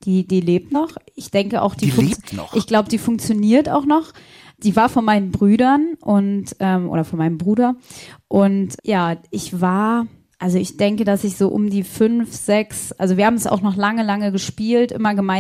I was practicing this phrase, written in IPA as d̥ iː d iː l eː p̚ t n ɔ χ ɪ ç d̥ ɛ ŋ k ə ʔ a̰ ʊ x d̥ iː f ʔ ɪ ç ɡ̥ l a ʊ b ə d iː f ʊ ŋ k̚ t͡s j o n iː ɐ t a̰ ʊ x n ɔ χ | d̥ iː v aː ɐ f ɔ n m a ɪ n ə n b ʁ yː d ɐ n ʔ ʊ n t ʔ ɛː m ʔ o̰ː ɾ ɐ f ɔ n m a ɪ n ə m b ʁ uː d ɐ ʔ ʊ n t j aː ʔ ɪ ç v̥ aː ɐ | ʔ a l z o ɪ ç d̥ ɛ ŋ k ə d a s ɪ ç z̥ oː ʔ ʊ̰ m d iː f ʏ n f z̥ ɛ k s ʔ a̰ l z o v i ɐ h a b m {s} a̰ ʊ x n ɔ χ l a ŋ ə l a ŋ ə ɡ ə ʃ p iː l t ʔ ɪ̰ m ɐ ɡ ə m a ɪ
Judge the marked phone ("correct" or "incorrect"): correct